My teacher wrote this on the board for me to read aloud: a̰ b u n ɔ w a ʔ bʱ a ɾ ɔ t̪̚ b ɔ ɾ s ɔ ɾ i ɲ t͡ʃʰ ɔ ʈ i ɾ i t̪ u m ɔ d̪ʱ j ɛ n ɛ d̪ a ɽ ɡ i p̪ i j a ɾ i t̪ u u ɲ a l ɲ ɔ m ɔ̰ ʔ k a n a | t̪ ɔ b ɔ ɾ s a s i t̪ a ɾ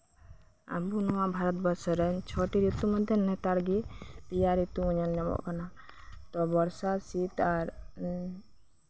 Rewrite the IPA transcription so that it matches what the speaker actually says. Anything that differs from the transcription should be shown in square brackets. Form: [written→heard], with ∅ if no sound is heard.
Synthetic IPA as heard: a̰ b u n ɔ w a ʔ bʱ a ɾ ɔ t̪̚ b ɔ ɾ s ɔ ɾ [i→ɛ] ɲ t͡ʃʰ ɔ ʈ i ɾ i t̪ u m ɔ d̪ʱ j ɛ n ɛ [d̪→t̪] a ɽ ɡ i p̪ i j a ɾ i t̪ u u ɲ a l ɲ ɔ m ɔ̰ ʔ k a n a | t̪ ɔ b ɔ ɾ s a s i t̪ a ɾ